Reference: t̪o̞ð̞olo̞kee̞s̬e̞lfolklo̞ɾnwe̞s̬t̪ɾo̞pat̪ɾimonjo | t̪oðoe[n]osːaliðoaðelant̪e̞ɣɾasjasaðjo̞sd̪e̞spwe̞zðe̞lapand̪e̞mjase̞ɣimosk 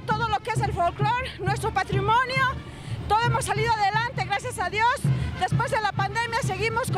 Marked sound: incorrect: m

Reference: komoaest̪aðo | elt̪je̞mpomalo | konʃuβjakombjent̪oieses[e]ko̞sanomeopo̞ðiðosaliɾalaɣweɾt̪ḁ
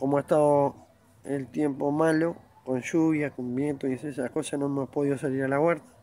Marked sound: incorrect: a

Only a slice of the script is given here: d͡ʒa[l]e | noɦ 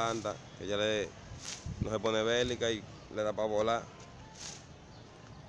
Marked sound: correct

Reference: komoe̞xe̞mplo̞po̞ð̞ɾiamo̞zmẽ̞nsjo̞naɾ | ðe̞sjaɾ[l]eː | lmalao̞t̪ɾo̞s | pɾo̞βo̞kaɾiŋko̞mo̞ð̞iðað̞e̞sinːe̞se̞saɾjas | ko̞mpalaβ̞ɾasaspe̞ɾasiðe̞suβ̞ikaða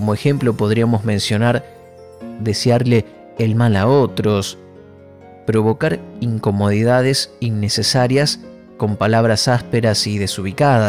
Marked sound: correct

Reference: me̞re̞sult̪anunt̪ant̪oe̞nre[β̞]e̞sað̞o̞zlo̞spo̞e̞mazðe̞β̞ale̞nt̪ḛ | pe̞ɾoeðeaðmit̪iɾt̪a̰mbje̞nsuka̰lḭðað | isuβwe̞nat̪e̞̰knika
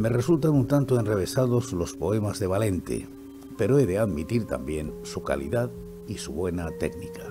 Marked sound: correct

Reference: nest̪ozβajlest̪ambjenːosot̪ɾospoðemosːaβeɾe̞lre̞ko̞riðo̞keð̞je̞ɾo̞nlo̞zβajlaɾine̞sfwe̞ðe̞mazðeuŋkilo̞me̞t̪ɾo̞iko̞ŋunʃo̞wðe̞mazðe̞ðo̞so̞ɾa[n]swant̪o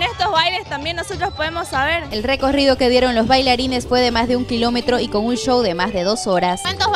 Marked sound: incorrect: none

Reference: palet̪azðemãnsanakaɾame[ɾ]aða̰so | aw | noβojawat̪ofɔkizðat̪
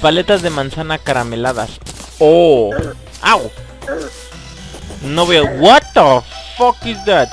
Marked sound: incorrect: l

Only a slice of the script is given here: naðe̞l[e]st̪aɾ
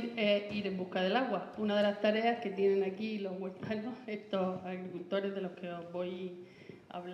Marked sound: incorrect: a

